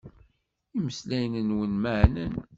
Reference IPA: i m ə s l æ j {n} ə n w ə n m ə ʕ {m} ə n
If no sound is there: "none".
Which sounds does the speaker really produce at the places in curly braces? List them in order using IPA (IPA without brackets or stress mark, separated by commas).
n, n